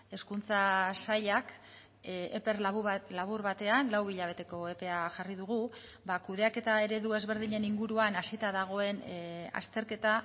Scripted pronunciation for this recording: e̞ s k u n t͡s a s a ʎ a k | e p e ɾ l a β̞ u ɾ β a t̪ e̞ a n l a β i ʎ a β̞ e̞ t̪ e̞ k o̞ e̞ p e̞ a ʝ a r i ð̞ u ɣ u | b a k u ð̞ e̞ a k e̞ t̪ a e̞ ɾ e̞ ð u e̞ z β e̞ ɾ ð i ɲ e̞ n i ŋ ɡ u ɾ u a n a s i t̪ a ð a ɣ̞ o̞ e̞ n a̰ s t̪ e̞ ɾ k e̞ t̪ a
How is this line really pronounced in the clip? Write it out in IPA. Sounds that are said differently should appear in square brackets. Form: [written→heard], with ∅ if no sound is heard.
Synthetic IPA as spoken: e̞ s k u n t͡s a s a ʎ a k | e p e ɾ l a β̞ u ɾ β a t̪ e̞ a n l a [β→w] i ʎ a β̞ e̞ t̪ e̞ k o̞ e̞ p e̞ a ʝ a r i ð̞ u ɣ u | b a k u ð̞ e̞ a k e̞ t̪ a e̞ ɾ e̞ ð u e̞ z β e̞ ɾ ð i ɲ e̞ n i ŋ ɡ u ɾ u a n a s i t̪ a ð a ɣ̞ o̞ e̞ n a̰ s t̪ e̞ ɾ k e̞ t̪ a